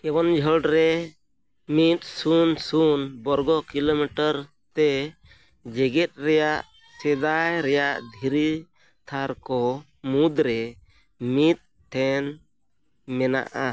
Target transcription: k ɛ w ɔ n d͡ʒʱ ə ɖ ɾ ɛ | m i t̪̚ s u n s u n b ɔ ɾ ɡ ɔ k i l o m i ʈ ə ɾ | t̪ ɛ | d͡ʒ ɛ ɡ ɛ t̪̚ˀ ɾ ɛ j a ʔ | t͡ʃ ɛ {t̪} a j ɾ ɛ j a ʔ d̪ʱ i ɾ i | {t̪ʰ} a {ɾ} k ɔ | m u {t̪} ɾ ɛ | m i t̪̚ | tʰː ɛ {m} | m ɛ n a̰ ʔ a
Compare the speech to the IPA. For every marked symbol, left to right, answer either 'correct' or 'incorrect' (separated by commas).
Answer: incorrect, correct, correct, incorrect, incorrect